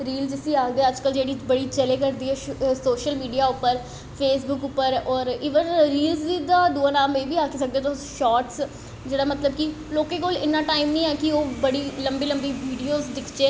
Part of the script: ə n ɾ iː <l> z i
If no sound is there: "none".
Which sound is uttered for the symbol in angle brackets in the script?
l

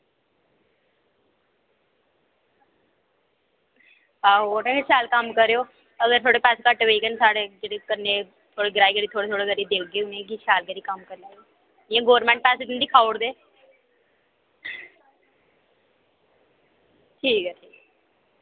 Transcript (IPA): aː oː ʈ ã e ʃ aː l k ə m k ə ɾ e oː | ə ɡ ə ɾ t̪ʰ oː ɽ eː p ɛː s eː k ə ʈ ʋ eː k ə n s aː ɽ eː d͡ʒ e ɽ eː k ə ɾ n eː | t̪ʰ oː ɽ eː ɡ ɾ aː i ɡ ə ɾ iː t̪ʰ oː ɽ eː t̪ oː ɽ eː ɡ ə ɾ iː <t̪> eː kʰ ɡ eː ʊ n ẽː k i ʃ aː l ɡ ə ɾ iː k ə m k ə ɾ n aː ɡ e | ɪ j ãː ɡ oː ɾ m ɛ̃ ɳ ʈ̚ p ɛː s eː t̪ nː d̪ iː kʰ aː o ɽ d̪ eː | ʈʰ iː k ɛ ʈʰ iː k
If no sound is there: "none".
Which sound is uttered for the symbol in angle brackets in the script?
d̪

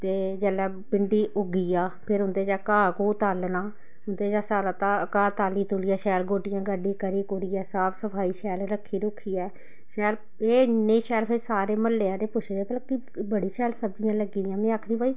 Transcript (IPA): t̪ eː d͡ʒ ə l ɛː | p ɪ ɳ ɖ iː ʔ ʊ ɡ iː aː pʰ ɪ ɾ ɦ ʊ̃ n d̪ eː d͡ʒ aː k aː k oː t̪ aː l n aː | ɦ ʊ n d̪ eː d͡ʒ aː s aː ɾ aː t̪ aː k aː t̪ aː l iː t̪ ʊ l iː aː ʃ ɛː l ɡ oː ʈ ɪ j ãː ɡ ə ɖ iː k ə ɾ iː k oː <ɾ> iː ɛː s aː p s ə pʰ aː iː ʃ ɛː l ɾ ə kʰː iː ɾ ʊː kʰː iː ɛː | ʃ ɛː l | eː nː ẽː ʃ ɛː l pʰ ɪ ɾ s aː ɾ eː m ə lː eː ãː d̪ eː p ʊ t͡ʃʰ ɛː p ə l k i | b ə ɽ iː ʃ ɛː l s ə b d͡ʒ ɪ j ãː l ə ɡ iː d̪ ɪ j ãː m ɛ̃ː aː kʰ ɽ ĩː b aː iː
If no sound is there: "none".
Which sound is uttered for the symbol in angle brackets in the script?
ɾ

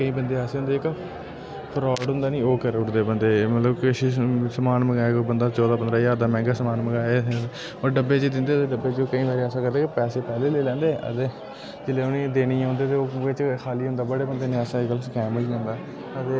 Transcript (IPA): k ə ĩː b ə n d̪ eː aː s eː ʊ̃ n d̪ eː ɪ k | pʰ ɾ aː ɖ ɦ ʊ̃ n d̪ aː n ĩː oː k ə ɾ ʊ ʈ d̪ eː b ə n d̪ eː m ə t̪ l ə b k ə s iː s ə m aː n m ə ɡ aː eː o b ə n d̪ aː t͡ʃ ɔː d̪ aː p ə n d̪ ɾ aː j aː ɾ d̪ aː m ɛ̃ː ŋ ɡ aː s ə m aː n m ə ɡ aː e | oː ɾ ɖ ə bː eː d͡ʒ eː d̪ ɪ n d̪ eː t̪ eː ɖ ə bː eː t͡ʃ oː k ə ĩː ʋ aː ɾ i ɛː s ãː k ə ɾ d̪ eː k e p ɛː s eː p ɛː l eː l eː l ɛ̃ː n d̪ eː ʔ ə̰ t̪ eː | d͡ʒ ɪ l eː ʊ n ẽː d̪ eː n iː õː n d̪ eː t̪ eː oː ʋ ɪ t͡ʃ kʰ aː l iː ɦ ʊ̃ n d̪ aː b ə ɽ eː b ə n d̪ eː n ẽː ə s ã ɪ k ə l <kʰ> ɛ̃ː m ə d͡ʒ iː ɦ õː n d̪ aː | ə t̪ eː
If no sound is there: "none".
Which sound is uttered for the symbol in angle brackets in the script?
k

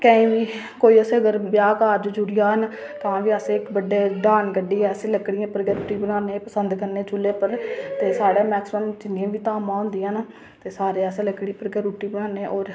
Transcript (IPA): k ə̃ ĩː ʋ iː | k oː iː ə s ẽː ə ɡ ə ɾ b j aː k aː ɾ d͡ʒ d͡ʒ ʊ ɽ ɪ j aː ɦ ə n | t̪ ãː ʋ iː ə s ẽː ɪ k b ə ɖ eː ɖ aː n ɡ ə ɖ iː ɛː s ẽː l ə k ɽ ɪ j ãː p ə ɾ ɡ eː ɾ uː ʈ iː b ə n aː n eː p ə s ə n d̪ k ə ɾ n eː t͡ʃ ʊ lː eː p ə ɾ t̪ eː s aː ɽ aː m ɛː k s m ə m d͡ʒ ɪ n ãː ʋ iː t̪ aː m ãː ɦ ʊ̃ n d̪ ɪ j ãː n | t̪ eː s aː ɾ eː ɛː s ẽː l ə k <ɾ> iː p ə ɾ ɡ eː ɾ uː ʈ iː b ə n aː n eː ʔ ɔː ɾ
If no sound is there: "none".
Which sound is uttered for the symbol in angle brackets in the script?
ɽ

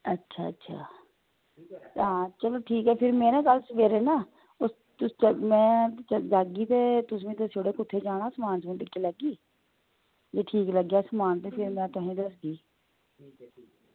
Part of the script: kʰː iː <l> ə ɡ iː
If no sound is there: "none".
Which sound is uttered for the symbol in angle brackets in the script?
l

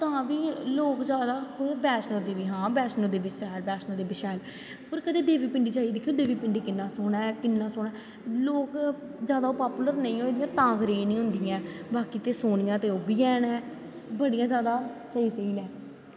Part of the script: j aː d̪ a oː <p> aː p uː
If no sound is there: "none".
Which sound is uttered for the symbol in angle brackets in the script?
p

